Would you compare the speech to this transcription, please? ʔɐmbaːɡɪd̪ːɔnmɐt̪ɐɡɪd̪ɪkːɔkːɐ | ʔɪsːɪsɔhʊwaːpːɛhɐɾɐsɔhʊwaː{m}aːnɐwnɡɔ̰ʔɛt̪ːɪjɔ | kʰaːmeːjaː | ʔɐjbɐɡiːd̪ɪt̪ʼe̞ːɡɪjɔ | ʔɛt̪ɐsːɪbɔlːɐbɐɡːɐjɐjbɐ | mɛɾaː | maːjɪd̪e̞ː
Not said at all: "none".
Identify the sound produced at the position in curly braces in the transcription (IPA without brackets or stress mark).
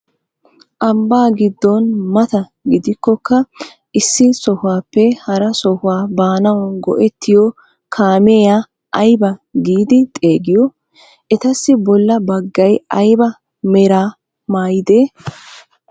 b